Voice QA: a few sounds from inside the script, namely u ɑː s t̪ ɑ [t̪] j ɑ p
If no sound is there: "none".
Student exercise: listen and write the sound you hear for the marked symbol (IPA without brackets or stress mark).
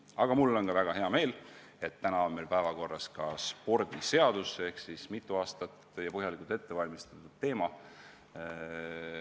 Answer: t̪